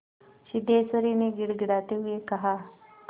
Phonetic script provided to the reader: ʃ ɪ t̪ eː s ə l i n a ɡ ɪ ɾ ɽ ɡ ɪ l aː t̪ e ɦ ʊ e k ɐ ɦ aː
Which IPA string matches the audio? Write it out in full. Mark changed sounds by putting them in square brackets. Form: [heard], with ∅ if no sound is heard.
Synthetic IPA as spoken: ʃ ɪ [d̪] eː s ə [ɾ] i n [e] ɡ ɪ [∅] ɽ ɡ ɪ [ɽ] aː t̪ e ɦ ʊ e k ɐ ɦ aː